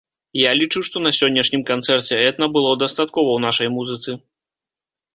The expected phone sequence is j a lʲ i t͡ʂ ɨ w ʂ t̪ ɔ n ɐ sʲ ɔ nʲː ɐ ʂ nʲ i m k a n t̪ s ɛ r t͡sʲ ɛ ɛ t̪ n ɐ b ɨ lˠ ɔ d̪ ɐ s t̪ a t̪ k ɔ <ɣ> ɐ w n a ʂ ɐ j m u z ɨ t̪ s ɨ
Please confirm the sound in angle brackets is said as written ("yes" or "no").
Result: no